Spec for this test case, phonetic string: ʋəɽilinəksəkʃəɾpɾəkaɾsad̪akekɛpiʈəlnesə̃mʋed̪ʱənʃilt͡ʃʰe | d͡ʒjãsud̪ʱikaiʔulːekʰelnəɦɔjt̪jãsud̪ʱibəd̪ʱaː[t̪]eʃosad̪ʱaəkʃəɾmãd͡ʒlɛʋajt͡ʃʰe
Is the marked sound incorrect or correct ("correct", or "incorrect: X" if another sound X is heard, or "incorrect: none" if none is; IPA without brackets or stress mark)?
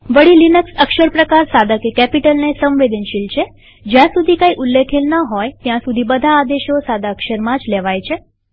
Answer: incorrect: d̪